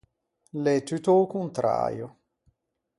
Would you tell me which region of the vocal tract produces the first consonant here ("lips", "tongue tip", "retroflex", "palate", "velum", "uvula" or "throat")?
tongue tip